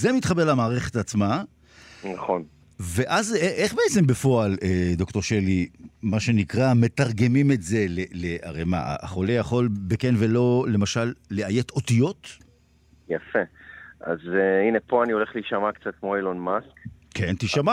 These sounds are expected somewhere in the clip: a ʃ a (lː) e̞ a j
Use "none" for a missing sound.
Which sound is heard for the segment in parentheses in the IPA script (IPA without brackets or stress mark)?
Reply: lː